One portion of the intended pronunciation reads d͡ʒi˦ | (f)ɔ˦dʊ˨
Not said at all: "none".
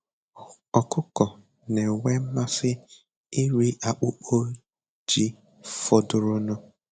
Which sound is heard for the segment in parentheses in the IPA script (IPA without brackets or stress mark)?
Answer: f